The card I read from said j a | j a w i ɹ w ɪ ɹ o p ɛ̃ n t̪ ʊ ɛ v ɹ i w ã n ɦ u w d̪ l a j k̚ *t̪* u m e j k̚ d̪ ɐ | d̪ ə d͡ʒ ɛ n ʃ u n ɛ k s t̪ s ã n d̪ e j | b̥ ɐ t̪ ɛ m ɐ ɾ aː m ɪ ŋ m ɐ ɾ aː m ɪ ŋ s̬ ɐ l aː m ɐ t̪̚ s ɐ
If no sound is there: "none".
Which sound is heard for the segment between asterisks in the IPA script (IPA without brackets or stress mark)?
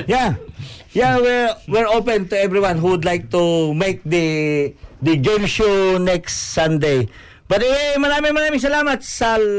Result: t̪